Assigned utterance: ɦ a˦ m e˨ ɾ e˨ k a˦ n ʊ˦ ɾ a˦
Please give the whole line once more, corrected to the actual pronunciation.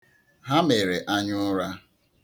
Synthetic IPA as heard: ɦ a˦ m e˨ ɾ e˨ ʔ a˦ ɲ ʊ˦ ɾ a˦